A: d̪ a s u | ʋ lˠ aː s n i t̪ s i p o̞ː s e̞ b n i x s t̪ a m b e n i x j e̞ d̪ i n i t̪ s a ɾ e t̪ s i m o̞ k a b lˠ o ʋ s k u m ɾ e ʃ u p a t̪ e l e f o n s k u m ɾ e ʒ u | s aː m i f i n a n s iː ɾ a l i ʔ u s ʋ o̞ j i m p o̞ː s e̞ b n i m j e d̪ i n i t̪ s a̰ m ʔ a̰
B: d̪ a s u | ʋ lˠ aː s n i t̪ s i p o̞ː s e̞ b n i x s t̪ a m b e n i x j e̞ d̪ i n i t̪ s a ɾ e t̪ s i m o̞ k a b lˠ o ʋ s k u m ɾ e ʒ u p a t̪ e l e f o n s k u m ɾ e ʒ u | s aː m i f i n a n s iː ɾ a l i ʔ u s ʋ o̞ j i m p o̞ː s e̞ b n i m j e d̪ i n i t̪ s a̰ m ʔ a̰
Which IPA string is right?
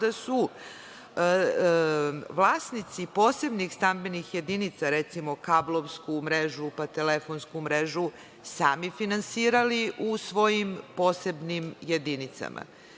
B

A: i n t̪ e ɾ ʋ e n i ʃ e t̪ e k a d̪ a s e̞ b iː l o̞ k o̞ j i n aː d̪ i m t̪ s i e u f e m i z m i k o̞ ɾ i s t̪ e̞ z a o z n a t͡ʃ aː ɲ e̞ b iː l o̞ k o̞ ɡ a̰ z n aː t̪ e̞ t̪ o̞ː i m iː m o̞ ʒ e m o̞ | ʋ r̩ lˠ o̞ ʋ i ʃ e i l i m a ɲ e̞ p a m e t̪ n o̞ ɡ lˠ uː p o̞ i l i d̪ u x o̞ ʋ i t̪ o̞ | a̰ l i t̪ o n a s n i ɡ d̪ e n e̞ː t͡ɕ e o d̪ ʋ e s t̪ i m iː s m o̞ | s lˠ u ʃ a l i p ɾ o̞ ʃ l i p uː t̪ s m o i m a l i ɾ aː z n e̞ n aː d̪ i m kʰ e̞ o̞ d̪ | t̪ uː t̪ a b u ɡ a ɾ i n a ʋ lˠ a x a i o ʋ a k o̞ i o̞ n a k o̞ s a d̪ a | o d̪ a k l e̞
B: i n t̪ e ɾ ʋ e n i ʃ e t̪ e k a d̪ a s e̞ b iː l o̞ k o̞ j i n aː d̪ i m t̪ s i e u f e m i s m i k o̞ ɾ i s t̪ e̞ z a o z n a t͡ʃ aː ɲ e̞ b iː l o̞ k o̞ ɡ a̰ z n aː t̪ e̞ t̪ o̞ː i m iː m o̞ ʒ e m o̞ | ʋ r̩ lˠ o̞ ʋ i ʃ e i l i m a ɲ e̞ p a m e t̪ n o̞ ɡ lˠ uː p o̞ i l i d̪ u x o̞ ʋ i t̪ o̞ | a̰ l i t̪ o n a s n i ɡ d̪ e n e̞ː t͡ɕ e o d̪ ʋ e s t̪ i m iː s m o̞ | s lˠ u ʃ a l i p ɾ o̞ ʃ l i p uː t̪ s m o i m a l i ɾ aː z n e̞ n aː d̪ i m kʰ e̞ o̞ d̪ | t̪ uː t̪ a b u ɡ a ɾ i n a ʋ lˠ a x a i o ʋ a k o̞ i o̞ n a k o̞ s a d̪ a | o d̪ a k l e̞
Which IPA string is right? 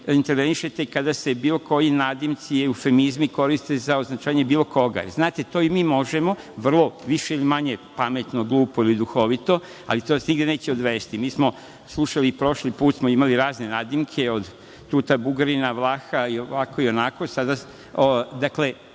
A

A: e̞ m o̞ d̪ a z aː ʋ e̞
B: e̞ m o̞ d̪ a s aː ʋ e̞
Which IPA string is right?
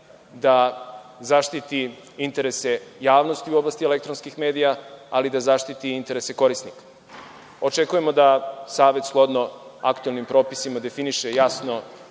B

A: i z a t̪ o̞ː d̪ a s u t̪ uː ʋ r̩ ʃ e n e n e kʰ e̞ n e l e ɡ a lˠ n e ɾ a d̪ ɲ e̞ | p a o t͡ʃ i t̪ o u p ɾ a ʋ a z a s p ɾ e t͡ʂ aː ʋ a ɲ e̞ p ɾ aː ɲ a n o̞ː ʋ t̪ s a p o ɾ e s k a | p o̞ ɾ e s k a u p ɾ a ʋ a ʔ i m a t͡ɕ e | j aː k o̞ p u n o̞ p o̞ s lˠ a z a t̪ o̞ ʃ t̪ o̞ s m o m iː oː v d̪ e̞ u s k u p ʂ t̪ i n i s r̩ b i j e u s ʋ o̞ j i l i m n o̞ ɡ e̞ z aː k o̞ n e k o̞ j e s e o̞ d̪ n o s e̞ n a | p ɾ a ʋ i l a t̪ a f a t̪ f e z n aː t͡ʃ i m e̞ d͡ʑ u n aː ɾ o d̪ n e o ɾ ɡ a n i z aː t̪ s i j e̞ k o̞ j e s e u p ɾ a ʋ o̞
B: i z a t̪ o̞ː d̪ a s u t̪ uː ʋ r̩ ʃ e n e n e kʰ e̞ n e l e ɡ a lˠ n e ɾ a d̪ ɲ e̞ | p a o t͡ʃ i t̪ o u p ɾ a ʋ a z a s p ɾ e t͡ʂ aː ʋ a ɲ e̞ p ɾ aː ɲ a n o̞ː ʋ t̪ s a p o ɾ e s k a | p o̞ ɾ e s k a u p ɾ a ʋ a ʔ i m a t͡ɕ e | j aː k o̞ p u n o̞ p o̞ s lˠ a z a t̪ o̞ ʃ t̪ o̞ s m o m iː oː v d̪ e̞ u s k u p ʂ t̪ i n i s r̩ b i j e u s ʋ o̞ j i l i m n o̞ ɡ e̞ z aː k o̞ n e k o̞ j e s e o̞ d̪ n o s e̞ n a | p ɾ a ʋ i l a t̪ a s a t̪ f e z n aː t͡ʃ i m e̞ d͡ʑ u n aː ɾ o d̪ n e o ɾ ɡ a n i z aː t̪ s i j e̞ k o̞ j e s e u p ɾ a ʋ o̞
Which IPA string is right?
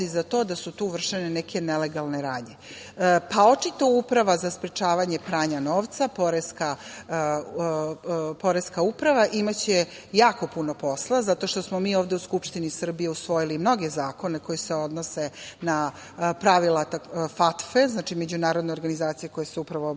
A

